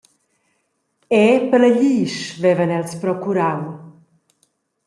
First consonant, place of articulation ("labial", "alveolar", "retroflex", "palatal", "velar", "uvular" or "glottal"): labial